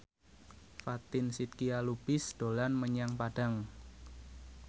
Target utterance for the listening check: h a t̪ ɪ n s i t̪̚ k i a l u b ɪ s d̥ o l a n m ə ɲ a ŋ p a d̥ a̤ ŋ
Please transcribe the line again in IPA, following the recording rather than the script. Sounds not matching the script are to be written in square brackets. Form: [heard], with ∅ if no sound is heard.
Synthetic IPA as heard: [f] a t̪ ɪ n s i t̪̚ k i a l u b ɪ s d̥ o l a n m ə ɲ a ŋ p a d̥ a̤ ŋ

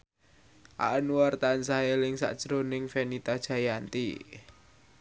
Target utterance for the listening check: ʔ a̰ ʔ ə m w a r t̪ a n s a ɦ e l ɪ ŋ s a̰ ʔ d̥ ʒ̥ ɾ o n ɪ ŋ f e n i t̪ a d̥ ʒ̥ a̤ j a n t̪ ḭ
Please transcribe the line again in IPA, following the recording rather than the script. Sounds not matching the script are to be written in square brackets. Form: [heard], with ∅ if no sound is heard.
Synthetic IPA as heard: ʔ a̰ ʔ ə [n] w a r t̪ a n s a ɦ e l ɪ ŋ s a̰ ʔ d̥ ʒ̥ ɾ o n ɪ ŋ f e n i t̪ a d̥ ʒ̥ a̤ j a n t̪ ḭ

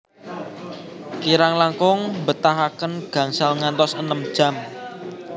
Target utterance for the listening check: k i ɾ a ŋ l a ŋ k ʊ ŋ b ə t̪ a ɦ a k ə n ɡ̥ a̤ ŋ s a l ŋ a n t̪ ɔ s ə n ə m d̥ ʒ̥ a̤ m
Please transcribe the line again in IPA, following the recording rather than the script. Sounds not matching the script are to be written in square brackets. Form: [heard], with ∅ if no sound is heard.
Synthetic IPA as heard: k i ɾ a ŋ l a ŋ k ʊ ŋ b ə t̪ a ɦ a k ə n ɡ̥ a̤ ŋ s a l ŋ a n t̪ ɔ s ə n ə m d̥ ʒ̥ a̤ m

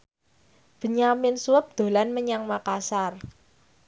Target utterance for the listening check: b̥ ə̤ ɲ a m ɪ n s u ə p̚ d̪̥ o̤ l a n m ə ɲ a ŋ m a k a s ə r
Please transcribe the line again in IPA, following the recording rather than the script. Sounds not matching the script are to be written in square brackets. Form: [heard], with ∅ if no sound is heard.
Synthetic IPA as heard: b̥ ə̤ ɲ a m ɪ n s u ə p̚ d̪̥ o̤ l a n m ə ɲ a ŋ m a k a s [a] r

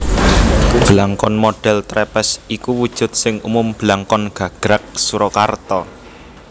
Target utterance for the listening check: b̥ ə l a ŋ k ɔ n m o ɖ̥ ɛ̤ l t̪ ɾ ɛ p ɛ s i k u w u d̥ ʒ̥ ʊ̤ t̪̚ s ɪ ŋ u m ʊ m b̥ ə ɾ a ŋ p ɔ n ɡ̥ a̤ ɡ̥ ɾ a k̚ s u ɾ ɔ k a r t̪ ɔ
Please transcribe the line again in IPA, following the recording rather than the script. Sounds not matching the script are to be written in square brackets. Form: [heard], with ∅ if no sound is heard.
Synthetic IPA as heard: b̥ ə l a ŋ k ɔ n m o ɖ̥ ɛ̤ l t̪ ɾ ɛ p ɛ s i k u w u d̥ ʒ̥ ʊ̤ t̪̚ s ɪ ŋ u m ʊ m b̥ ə [l] a ŋ [k] ɔ n ɡ̥ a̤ ɡ̥ ɾ a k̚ s u ɾ ɔ k a r t̪ ɔ

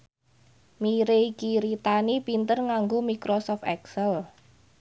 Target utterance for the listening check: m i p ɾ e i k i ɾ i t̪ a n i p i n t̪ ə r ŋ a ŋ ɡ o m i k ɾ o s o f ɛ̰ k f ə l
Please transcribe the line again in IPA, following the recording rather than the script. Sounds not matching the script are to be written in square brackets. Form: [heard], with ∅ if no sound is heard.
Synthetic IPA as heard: m i [∅] ɾ e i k i ɾ i t̪ a n i p i n t̪ ə r ŋ a ŋ ɡ o m i k ɾ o s [ɔ] f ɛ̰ k [s] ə l

